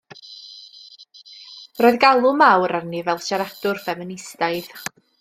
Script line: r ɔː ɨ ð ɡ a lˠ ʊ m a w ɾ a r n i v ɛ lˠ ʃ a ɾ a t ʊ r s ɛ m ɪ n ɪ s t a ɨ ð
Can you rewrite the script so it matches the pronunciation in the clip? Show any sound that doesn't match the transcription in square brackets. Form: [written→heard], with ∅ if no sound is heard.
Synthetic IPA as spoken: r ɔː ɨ ð ɡ a lˠ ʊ m a w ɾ a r n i v ɛ lˠ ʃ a ɾ a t ʊ r [s→f] ɛ m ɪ n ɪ s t a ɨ ð